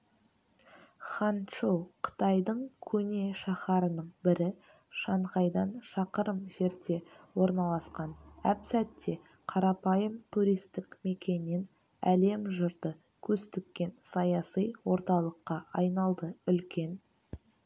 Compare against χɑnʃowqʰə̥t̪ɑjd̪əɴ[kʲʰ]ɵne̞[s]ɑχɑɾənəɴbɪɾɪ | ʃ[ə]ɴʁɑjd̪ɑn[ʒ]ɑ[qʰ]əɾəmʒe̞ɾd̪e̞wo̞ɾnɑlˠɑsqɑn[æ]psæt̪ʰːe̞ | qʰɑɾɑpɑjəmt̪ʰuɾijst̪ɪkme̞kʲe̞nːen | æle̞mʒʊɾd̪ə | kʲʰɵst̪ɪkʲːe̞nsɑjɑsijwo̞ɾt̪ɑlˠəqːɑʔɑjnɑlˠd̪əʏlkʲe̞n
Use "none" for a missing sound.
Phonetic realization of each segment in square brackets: kʲʰ, ʃ, ɑ, ʃ, q, æ

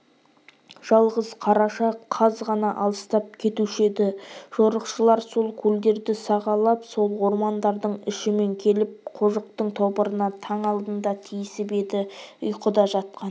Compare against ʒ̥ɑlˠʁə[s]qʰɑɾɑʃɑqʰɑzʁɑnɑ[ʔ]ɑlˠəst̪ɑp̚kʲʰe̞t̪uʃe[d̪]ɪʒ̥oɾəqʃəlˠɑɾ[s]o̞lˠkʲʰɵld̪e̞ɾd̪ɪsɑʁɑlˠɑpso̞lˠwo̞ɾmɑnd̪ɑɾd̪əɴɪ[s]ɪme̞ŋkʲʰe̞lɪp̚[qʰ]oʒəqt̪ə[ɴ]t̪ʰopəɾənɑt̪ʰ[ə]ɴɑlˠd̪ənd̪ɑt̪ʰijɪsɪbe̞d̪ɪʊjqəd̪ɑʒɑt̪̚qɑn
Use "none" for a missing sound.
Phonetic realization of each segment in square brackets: z, ʔ, d̪, s, ʃ, qʰ, ɴ, ɑ

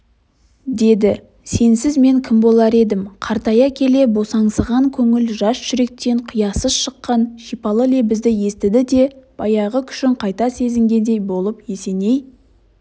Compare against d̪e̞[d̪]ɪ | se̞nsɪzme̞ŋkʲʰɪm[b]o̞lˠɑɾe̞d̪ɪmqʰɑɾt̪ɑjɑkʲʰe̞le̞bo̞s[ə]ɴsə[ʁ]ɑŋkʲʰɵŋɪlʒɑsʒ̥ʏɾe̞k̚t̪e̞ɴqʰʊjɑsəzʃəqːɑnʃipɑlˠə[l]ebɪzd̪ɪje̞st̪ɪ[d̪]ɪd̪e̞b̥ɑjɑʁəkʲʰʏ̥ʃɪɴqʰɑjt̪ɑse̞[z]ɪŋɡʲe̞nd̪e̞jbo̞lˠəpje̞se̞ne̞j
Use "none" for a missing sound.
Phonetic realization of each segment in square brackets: d̪, b, ɑ, ʁ, l, d̪, z

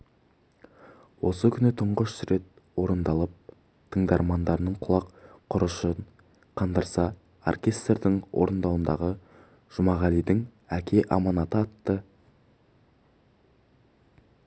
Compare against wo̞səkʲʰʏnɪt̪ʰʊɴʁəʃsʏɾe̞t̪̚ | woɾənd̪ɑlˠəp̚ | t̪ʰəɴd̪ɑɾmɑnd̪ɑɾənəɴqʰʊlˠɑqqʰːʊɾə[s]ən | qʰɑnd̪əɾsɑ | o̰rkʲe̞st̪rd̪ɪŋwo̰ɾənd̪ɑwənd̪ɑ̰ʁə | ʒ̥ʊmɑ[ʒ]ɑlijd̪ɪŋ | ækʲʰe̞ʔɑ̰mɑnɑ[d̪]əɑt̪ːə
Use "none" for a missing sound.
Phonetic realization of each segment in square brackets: ʃ, ʁ, t̪

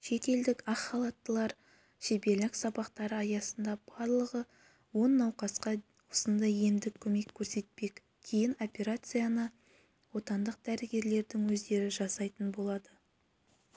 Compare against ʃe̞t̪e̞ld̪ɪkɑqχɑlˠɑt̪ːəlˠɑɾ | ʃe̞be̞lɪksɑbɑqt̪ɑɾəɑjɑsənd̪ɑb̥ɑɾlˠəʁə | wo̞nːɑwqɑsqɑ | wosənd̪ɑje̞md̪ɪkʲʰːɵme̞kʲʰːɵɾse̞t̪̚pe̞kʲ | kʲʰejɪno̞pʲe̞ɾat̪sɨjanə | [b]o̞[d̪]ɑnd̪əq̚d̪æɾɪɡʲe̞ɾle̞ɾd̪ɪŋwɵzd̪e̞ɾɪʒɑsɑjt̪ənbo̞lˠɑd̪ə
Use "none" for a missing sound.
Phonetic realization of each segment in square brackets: w, t̪

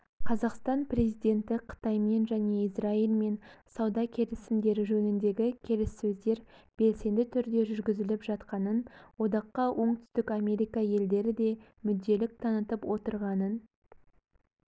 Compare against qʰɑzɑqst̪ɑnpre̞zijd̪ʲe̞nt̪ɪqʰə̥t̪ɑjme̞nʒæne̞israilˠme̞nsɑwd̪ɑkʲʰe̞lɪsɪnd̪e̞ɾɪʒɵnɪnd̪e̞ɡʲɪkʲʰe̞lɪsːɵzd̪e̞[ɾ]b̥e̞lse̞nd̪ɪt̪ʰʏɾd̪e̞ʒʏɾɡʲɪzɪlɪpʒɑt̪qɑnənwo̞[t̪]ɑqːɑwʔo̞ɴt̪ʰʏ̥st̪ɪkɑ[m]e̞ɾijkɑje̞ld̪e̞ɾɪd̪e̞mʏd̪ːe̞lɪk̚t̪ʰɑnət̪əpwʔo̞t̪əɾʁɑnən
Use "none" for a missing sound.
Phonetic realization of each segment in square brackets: ɾ, d̪, m

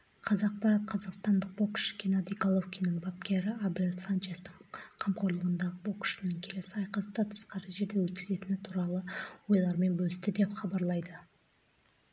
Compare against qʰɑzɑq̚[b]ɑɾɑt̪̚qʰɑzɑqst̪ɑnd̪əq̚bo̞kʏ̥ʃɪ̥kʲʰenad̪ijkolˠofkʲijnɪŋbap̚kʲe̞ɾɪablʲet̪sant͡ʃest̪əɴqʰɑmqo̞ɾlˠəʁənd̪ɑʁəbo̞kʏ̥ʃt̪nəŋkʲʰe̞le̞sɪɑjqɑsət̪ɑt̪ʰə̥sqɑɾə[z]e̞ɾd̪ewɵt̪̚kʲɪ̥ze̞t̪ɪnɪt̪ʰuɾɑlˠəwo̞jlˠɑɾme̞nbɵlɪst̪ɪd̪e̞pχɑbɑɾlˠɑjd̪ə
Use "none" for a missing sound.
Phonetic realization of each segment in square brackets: p, ʒ

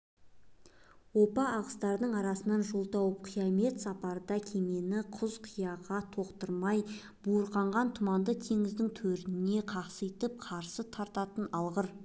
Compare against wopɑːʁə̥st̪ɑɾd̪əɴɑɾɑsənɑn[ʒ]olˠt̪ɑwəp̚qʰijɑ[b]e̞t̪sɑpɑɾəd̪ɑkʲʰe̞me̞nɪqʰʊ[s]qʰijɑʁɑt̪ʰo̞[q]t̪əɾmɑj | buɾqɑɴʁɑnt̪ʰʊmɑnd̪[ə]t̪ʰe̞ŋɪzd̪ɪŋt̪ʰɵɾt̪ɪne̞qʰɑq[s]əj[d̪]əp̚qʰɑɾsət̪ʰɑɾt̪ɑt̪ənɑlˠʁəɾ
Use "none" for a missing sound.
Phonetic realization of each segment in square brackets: ʒ, m, z, q, ə, s, t̪

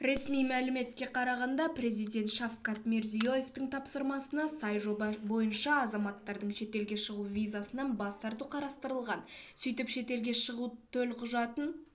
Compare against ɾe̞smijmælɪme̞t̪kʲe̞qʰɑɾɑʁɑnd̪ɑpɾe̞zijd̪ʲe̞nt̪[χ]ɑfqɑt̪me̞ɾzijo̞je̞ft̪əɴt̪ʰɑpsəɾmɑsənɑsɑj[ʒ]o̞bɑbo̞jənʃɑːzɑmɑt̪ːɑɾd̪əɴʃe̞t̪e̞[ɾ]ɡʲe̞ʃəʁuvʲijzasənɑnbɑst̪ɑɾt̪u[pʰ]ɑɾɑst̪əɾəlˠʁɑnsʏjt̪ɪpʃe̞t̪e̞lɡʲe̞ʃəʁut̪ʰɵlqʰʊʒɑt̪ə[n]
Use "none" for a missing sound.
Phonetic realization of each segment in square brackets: ʃ, ʒ, l, qʰ, n

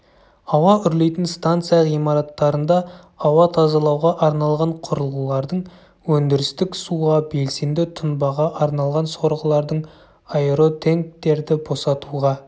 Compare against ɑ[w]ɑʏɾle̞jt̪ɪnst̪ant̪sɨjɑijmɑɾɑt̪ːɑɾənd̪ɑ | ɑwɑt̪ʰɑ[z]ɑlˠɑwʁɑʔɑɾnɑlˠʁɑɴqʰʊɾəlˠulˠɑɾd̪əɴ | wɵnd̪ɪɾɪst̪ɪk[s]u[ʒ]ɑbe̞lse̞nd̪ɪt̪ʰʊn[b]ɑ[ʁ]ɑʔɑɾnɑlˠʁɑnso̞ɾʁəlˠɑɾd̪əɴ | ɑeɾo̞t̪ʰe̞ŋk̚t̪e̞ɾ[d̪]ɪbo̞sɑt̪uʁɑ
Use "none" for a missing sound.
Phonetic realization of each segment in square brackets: w, z, s, ʁ, b, ʁ, d̪

